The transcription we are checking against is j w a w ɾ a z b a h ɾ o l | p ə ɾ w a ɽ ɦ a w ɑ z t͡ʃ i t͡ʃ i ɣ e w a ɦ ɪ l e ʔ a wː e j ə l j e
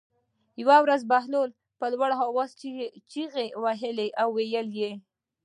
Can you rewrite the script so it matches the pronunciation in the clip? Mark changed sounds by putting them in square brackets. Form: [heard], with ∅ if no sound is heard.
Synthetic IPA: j w a w ɾ a z b a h [l] o l | p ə [l] w a ɽ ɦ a w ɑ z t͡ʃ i t͡ʃ i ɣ e w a ɦ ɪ l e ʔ a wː e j ə l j e